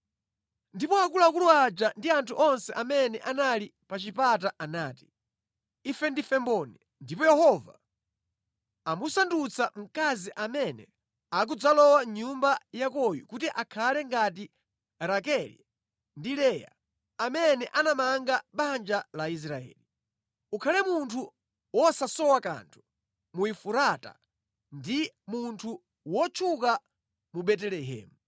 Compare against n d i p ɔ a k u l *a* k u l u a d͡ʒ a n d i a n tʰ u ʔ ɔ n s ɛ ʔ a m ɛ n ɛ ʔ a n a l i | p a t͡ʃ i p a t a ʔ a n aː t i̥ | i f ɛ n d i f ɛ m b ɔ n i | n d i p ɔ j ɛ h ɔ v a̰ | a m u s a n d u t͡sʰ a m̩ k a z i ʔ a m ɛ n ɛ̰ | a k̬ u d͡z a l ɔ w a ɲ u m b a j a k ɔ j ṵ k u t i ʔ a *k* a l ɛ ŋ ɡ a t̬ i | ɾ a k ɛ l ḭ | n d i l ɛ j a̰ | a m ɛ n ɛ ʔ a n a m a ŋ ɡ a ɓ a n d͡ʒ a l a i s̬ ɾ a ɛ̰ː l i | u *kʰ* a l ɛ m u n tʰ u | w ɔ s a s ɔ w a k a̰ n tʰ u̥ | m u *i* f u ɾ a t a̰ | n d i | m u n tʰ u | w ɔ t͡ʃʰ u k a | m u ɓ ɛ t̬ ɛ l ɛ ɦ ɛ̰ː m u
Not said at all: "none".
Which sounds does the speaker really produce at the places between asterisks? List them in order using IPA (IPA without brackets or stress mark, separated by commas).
a, kʰ, kʰ, i